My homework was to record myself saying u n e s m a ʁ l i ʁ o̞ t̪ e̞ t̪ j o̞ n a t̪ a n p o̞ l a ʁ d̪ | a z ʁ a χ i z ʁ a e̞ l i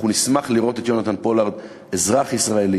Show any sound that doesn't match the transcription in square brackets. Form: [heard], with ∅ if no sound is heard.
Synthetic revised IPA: u n [i] s m a [χ] l i ʁ o̞ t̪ e̞ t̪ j o̞ n a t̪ a n p o̞ l a ʁ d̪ | [e] z ʁ a χ i [s] ʁ a e̞ l i

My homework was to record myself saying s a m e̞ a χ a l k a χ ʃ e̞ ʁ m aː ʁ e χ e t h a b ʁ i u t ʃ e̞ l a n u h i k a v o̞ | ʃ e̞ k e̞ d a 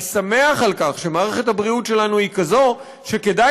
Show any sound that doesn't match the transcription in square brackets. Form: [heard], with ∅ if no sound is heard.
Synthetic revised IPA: s a m e̞ a χ a l k a χ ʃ e̞ [∅] m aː ʁ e χ e t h a b ʁ i u t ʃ e̞ l a n u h i k a [z] o̞ | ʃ e̞ k e̞ d a

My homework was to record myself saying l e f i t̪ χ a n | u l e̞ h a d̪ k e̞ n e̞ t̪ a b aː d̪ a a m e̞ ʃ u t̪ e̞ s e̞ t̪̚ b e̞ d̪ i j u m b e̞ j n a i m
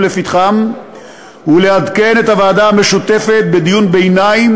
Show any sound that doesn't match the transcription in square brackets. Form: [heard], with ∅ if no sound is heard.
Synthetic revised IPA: l e f i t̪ χ a [m] | u l e̞ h a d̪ k e̞ n e̞ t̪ a [v] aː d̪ a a m e̞ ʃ u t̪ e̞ [f] e̞ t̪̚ b e̞ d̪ i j u [n] b e̞ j n a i m

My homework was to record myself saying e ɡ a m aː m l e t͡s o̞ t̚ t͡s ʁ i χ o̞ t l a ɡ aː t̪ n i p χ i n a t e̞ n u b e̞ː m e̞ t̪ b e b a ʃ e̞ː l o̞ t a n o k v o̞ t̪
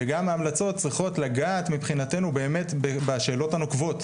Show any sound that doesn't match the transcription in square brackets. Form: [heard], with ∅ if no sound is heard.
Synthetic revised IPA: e ɡ a m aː m l [a] t͡s o̞ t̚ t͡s ʁ i χ o̞ t l a ɡ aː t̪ [m] i p χ i n a t e̞ n u b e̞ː m e̞ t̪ b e b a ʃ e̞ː l o̞ t a n o k v o̞ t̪

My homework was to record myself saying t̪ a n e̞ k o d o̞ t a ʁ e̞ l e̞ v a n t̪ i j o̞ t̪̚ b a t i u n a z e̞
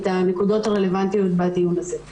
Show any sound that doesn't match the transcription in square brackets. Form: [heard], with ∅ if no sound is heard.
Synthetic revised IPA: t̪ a n e̞ k [u] d o̞ t a ʁ e̞ l e̞ v a n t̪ i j o̞ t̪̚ b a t i u n a z e̞

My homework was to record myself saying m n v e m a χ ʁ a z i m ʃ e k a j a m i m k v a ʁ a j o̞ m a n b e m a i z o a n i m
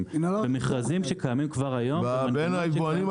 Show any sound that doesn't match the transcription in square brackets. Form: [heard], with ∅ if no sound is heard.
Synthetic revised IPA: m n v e m [e] χ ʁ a z i m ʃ e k a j a m i m k v a ʁ a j o̞ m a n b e [n] a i [v] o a n i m

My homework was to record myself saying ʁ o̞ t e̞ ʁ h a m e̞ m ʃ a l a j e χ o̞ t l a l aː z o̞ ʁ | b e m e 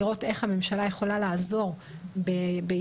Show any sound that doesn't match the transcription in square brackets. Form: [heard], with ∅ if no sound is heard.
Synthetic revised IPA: ʁ o̞ t e̞ [χ] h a m e̞ m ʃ a l a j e χ o̞ [∅] l a l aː z o̞ ʁ | b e [b] e

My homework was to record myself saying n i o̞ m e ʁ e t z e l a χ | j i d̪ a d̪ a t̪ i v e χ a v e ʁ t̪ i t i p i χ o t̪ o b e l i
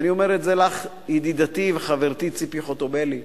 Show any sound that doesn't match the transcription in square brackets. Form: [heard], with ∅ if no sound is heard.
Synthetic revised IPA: n i o̞ m e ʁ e t z e l a χ | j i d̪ [i] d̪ a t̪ i v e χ a v e ʁ t̪ i [t͡s] i p i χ o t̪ o b e l i

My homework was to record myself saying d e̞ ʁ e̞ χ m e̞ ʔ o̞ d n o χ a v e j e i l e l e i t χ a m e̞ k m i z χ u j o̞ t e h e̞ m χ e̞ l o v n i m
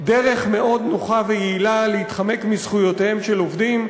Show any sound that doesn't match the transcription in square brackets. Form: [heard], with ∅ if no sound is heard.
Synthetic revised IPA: d e̞ ʁ e̞ χ m e̞ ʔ o̞ d n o χ a v e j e i l [a] l e i t χ a m e̞ k m i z χ u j o̞ t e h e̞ m [ʃ] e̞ l o v [d] i m

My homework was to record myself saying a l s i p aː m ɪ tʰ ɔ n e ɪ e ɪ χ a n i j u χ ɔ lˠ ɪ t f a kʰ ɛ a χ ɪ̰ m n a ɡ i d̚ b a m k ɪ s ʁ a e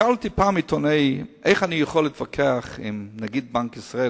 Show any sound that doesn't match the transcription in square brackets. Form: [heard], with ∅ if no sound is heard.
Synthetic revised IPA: a l [t] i p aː m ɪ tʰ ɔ n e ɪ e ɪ χ a n i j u χ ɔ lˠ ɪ t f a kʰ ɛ a χ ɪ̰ m n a ɡ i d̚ b a [ŋ] k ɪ s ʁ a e

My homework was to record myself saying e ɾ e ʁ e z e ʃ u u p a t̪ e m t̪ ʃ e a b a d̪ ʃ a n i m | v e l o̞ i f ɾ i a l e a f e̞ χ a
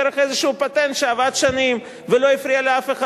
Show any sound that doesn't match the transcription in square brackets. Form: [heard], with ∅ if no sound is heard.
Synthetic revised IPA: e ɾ e [χ] e z e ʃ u u p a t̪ e [n] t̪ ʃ e a [v] a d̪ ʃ a n i m | v e l o̞ i f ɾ i a l e a f e̞ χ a

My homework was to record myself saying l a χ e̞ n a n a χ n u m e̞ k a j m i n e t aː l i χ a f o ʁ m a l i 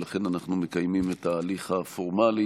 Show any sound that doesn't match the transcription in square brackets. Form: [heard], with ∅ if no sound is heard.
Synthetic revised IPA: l a χ e̞ n a n a χ n u m e̞ k a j m i [m] e t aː l i χ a f o ʁ m a l i

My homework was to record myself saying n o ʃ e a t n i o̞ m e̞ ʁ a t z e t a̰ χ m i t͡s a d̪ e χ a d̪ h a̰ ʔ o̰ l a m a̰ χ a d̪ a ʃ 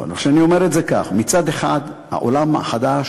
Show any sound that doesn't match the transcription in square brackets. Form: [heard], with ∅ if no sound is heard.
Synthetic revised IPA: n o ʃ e a [∅] n i o̞ m e̞ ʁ [e] t z e [k] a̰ χ m i t͡s a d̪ e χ a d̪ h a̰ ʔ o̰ l a m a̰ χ a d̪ a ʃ

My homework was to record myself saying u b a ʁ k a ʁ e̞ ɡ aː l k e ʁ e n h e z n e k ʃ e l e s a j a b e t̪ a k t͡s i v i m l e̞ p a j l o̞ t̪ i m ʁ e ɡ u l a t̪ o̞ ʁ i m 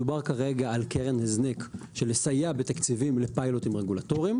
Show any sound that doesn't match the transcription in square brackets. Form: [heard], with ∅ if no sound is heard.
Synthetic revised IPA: u b a ʁ k a ʁ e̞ ɡ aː l k e ʁ e n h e z n e k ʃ e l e s a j a b e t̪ a k t͡s i v i m l e̞ p a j l o̞ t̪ i m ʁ e ɡ u l a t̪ o̞ ʁ i m

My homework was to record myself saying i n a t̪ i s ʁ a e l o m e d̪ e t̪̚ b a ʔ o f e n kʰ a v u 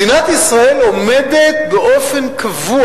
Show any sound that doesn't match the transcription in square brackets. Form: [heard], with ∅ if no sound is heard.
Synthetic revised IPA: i n a t̪ i s ʁ a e l o m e d̪ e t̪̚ b [e] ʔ o f e n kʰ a v u

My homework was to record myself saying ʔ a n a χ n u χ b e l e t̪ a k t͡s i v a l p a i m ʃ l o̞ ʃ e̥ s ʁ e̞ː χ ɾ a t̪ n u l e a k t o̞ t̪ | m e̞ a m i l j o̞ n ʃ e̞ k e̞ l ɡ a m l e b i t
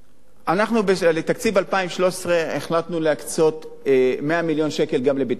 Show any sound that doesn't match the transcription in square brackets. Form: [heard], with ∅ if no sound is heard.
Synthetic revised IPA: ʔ a n a χ n u [∅] b e l e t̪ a k t͡s i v a l p a i m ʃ l o̞ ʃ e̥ s ʁ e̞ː χ [l] a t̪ n u l e a k [t͡s] o̞ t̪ | m e̞ a m i l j o̞ n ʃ e̞ k e̞ l ɡ a m l e b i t

